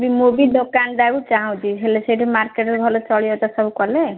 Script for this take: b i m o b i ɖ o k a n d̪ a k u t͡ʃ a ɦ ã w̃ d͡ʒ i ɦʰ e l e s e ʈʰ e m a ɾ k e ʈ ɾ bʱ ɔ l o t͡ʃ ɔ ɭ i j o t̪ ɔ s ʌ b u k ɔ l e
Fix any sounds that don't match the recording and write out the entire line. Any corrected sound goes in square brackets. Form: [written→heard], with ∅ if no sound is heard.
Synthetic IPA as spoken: b i m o b i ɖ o k a n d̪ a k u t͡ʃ a ɦ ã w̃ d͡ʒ i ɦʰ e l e s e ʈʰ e m a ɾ k e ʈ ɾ bʱ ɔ l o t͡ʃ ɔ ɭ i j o t̪ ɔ s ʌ b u k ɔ l e